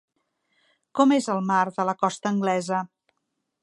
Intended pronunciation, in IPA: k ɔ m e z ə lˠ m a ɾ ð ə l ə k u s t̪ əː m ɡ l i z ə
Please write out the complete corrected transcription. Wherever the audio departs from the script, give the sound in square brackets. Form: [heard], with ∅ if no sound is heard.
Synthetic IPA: k ɔ m e z ə lˠ m a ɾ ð ə l ə k [ɔ] s t̪ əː [ŋ] ɡ l [ɛ] z ə